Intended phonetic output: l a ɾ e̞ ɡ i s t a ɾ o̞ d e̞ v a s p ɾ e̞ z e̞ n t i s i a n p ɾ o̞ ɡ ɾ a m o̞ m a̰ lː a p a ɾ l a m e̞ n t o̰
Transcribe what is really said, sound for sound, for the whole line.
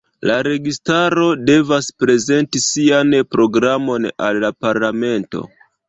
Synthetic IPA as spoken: l a ɾ e̞ ɡ i s t a ɾ o̞ d e̞ v a s p ɾ e̞ z e̞ n t i s i a n p ɾ o̞ ɡ ɾ a m o̞ n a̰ lː a p a ɾ l a m e̞ n t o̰

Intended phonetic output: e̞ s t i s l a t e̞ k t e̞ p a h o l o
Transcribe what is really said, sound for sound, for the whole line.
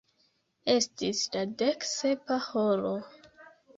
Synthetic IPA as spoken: e̞ s t i s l a d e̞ k s e̞ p a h o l o

